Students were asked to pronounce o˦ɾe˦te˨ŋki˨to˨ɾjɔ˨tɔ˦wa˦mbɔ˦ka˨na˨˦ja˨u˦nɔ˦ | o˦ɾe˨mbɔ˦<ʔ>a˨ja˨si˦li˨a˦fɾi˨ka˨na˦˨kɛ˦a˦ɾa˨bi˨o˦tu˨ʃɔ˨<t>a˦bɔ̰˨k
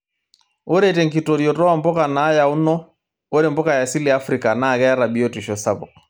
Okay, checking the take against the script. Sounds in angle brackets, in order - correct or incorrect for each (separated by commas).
incorrect, incorrect